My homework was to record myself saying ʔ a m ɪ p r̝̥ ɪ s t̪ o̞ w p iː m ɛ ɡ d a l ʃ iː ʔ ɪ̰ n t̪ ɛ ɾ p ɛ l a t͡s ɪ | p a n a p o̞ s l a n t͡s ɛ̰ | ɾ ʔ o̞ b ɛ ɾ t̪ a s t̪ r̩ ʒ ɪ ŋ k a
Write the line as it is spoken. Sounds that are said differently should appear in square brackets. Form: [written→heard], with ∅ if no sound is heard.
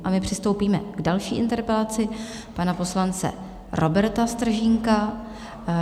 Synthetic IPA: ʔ a m ɪ p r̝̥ ɪ s t̪ o̞ w p iː m ɛ ɡ d a l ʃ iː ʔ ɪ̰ n t̪ ɛ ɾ p ɛ l a t͡s ɪ | p a n a p o̞ s l a n t͡s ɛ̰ | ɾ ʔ o̞ b ɛ ɾ t̪ a s t̪ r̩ ʒ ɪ ŋ k a